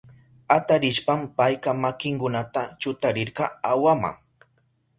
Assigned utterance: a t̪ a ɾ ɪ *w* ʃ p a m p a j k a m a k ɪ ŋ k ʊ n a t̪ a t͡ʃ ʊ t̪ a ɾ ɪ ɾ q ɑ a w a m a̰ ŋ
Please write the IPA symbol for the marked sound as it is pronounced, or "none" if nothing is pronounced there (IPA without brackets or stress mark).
none